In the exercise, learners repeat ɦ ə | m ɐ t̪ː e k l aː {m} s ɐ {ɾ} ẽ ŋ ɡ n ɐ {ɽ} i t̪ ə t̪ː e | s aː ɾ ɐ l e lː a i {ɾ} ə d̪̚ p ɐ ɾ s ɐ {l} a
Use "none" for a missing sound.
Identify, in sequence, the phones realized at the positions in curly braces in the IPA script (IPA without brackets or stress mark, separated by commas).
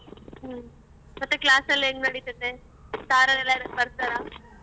none, l, ɽ, ɾ, ɾ